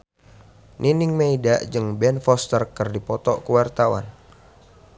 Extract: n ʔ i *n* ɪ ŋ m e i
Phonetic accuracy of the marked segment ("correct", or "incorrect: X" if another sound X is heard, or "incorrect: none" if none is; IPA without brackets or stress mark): correct